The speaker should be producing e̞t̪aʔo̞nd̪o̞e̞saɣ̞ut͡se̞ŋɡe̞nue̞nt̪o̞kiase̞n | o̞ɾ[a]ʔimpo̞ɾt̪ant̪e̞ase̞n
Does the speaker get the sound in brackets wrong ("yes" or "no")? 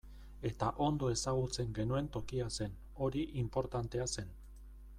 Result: yes